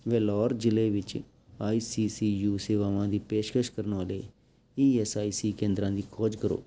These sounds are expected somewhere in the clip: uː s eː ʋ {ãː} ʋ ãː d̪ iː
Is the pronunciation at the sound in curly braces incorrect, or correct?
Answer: incorrect: aː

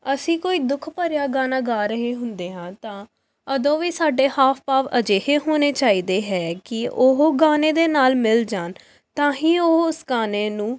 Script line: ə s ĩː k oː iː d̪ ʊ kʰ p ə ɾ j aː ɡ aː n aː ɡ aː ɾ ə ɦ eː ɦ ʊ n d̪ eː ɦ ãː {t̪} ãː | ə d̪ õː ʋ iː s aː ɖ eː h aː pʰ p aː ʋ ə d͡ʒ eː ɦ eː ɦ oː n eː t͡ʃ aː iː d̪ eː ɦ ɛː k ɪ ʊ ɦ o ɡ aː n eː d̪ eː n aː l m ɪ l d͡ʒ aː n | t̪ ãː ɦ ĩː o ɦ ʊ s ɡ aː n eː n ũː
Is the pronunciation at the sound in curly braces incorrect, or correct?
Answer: correct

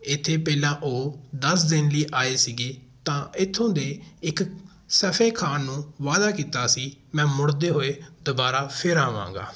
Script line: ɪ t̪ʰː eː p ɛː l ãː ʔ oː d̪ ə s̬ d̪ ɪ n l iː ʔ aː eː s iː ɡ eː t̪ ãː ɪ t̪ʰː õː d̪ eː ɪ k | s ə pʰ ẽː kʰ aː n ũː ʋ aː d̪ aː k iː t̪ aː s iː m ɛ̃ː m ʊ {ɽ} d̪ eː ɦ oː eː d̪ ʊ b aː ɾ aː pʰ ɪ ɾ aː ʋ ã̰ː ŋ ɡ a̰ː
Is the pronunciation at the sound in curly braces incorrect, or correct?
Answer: correct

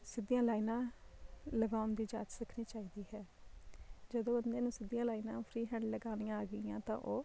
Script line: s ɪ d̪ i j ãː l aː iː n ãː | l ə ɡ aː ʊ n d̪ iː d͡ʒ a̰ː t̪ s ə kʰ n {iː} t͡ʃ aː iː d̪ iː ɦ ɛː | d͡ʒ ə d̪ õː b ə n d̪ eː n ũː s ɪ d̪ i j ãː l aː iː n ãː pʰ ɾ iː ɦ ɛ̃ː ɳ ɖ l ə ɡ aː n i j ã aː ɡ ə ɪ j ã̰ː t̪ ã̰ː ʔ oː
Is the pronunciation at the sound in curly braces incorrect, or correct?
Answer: correct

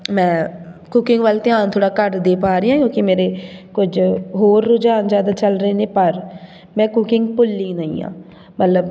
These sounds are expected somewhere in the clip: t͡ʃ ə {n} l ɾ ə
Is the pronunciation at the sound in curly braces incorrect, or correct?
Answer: incorrect: none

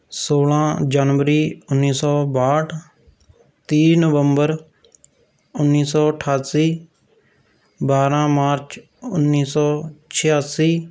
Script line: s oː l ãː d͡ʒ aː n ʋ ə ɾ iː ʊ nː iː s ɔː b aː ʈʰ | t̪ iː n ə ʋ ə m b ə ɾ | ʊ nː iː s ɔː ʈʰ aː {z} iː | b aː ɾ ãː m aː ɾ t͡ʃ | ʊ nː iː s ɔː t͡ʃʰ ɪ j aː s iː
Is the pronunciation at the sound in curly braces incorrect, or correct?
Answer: incorrect: s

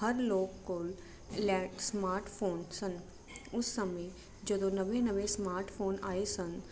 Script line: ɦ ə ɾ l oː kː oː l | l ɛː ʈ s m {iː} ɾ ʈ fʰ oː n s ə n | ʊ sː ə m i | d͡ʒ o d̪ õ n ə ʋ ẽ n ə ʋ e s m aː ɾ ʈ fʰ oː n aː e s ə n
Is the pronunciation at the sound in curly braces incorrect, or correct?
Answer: incorrect: aː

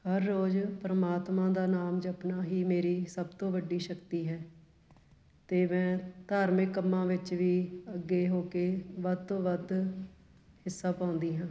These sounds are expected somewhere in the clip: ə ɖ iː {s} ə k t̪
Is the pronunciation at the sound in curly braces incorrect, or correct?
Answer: incorrect: ʃ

